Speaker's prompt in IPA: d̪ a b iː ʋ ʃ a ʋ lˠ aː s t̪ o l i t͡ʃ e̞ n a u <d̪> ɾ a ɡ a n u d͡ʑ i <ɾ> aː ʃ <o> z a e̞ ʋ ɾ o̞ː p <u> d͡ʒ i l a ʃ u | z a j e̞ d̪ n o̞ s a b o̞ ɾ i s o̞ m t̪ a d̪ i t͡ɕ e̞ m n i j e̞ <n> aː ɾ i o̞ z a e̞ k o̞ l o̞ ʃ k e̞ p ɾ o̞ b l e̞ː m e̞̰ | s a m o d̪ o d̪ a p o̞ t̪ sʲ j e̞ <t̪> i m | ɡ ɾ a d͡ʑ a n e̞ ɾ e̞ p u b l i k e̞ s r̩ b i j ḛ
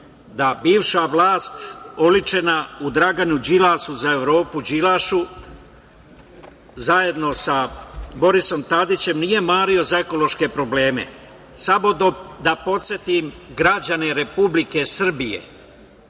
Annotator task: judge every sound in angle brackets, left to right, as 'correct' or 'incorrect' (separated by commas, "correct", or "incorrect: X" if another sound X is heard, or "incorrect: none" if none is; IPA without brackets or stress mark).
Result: correct, incorrect: l, incorrect: u, correct, incorrect: m, correct